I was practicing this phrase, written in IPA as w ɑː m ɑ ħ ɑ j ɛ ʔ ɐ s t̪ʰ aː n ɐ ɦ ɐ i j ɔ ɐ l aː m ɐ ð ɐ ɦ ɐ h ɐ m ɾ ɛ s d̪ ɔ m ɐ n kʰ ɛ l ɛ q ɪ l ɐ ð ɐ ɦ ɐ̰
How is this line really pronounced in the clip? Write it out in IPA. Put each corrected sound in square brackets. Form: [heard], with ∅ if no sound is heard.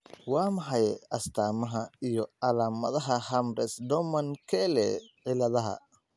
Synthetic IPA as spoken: w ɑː m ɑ ħ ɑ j ɛ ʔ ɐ s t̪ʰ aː [m] ɐ ɦ ɐ i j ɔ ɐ l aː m ɐ ð ɐ ɦ ɐ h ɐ m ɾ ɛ s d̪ ɔ m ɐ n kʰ ɛ l ɛ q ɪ l ɐ ð ɐ ɦ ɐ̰